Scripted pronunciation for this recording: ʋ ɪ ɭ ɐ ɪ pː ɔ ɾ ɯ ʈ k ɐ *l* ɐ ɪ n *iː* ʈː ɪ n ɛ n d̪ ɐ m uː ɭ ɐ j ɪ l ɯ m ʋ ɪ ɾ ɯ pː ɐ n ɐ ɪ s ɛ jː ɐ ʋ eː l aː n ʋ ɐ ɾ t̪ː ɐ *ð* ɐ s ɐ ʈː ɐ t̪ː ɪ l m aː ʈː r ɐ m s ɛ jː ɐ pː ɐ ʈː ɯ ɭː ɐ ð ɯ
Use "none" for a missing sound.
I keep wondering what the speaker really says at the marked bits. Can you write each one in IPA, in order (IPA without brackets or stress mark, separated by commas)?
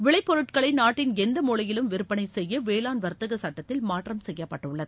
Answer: ɭ, aː, ɣ